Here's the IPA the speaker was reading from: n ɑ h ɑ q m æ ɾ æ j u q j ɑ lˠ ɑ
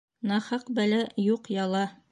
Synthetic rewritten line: n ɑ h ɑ q b æ l æ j u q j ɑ lˠ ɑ